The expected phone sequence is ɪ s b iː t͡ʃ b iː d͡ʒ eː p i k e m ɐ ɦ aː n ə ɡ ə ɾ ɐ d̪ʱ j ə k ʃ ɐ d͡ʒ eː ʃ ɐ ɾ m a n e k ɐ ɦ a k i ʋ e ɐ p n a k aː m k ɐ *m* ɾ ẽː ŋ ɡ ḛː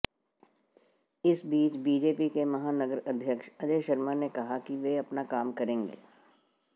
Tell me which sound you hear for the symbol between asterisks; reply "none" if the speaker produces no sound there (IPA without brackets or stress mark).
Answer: none